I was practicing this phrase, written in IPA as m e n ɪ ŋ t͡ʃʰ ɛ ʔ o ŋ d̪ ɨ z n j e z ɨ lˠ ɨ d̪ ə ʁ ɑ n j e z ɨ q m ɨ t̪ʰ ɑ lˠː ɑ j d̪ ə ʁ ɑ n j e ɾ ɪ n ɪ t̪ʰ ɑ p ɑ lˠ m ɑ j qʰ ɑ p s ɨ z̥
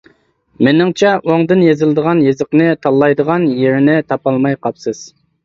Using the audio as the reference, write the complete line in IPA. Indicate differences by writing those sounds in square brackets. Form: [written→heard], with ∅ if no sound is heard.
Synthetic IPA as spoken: m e n ɪ ŋ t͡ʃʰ ɛ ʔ o ŋ d̪ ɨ [z→∅] n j e z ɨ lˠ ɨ d̪ ə ʁ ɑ n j e z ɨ q [m→n] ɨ t̪ʰ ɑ lˠː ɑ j d̪ ə ʁ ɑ n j e ɾ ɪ n ɪ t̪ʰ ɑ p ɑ lˠ m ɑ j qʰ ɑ p s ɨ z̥